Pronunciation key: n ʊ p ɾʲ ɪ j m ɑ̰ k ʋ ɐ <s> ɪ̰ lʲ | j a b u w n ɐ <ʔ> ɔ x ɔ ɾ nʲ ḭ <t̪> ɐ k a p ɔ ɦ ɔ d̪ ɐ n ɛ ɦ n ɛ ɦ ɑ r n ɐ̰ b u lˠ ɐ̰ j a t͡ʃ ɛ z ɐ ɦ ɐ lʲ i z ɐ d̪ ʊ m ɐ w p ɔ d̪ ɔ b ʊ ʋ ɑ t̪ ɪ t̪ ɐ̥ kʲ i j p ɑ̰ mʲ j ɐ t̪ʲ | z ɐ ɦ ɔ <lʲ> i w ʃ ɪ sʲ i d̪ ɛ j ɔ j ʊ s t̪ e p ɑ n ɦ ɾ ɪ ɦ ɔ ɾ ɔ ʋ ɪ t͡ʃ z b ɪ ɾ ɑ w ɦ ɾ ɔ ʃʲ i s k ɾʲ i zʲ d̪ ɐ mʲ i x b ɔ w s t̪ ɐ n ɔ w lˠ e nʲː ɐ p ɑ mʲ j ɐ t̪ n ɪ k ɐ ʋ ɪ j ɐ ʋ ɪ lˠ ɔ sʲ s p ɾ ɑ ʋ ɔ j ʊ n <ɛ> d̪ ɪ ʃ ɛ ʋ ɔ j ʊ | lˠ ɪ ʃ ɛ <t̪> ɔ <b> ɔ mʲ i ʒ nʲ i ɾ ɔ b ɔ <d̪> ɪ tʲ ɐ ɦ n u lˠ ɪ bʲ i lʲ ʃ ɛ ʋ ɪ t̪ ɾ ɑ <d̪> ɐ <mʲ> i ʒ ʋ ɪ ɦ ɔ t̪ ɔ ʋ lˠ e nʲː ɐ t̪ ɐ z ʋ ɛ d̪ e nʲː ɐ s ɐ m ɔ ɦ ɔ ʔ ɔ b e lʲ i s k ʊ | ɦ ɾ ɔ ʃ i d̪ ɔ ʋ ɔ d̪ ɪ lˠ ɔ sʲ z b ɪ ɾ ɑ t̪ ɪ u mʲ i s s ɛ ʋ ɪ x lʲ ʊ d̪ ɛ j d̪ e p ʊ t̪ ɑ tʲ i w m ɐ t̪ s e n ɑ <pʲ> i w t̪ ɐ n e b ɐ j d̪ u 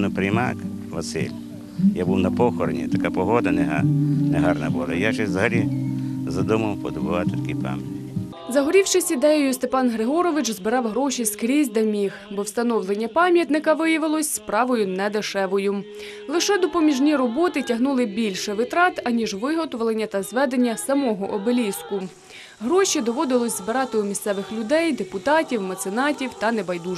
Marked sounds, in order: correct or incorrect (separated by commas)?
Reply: correct, incorrect, correct, incorrect, correct, incorrect, incorrect, incorrect, incorrect, incorrect, incorrect